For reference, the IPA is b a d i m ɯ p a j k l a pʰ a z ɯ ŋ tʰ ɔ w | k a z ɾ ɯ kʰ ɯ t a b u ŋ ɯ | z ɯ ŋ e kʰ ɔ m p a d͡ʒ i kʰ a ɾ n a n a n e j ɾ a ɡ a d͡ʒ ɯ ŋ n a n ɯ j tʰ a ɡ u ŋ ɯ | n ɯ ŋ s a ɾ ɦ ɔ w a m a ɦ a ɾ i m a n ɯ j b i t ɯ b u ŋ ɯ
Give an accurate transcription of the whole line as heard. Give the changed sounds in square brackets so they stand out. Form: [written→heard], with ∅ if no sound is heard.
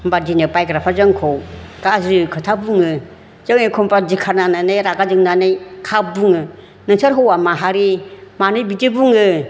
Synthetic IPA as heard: b a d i [m→n] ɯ p a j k [l→ɾ] a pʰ a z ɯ ŋ [tʰ→kʰ] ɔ w | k a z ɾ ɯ kʰ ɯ [t→tʰ] a b u ŋ ɯ | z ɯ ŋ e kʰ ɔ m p a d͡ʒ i kʰ a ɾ n a n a n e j ɾ a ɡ a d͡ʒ ɯ ŋ n a n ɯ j [tʰ→kʰ] a [ɡ→b] u ŋ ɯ | n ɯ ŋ s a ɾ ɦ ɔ w a m a ɦ a ɾ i m a n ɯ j b i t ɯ b u ŋ ɯ